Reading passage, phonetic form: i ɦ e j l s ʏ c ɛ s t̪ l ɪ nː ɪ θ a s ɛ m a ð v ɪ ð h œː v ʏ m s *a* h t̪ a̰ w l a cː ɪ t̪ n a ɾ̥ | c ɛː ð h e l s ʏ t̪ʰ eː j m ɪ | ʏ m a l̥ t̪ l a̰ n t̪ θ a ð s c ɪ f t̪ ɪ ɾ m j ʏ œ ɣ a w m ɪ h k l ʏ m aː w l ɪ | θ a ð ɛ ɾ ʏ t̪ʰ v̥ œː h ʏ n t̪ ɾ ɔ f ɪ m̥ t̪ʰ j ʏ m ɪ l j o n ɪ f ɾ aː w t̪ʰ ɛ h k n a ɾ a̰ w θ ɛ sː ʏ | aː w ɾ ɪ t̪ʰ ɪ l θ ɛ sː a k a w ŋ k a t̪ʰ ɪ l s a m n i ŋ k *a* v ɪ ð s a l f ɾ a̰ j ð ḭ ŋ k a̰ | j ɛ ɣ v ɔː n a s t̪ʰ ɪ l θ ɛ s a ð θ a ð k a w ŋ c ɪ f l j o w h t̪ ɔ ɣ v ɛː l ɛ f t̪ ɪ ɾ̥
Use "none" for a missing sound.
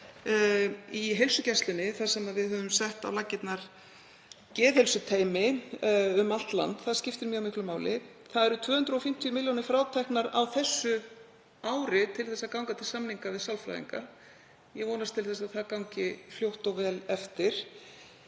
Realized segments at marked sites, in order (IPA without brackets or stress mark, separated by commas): ɛ, a